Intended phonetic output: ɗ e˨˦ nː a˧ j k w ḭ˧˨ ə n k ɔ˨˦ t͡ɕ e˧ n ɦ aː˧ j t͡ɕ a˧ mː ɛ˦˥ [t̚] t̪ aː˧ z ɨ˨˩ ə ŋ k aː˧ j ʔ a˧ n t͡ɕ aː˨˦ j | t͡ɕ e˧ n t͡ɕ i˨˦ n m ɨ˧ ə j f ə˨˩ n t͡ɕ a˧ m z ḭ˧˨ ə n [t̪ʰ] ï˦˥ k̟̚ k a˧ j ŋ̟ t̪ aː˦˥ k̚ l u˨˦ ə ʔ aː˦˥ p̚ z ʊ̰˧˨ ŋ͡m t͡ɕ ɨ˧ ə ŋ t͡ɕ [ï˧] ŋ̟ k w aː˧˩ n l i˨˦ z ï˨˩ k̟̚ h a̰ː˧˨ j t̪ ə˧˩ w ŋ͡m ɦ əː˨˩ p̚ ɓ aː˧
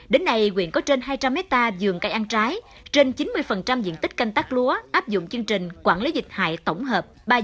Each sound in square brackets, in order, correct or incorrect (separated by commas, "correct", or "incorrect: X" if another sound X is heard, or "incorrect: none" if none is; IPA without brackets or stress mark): correct, incorrect: t̪, incorrect: ï˨˩